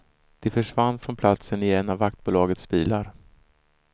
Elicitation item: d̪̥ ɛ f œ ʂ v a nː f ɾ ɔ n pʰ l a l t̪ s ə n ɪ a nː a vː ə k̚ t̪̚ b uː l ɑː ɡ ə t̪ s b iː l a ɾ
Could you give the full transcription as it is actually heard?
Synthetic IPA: d̪̥ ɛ f œ ʂ v a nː f ɾ ɔ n pʰ l a t̪ s ə n ɪ ɛ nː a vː a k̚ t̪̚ b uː l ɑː ɡ ə t̪ s b iː l a ɾ